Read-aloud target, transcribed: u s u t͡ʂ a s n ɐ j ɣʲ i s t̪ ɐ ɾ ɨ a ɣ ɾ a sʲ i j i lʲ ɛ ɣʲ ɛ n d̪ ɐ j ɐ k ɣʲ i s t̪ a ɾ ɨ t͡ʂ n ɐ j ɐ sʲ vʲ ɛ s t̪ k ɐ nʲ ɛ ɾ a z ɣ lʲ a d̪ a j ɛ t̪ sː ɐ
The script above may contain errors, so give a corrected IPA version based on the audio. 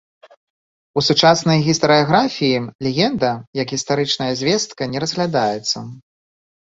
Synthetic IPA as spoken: u s u t͡ʂ a s n ɐ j ɣʲ i s t̪ ɐ ɾ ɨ a ɣ ɾ a fʲ i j i lʲ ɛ ɣʲ ɛ n d̪ ɐ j ɐ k ɣʲ i s t̪ a ɾ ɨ t͡ʂ n ɐ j ɐ zʲ vʲ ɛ s t̪ k ɐ nʲ ɛ ɾ ɐ z ɣ lʲ a d̪ a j ɛ t̪ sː ɐ